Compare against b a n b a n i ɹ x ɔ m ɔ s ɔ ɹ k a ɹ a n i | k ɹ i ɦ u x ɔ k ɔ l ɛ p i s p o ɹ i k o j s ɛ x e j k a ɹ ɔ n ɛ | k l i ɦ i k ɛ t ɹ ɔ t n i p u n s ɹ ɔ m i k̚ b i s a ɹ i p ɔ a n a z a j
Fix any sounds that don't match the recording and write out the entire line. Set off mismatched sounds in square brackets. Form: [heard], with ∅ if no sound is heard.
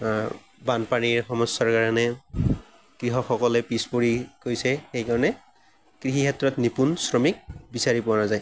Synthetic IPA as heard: b a n [p] a n i ɹ x ɔ m ɔ s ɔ ɹ k a ɹ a n [ɛ] | k ɹ i ɦ [ɔ] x ɔ k ɔ l ɛ p i s p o ɹ i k o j s ɛ x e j k a ɹ ɔ n ɛ | k [ɹ] i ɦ i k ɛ t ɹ ɔ t n i p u n s ɹ ɔ m i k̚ b i s a ɹ i p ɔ a n a z a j